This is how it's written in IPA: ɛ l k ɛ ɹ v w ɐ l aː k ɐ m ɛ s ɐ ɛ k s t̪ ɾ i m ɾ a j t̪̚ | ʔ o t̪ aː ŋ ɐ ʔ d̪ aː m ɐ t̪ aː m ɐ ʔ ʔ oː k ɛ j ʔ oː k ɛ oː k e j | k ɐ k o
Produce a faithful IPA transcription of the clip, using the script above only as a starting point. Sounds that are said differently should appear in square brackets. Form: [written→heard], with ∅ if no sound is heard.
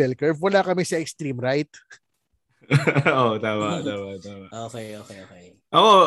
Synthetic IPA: ɛ l k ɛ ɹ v w ɐ l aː k ɐ m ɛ s ɐ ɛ k s t̪ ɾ i m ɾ a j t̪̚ | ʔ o t̪ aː [ŋ→m] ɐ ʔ [d̪→t̪] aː m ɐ t̪ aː m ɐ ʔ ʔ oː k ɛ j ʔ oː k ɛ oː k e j | [k→ʔ] ɐ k o